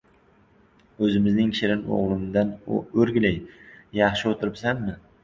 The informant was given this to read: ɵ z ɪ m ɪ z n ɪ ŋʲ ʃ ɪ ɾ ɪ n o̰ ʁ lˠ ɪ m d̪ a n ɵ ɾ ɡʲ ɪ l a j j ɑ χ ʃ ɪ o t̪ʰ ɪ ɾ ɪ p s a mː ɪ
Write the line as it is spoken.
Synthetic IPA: ɵ z ɪ m ɪ z n ɪ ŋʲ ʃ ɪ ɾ ɪ n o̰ ʁ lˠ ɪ m d̪ a n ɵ ɾ ɡʲ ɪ l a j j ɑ χ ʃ ɪ o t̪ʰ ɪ ɾ ɪ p s a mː ɪ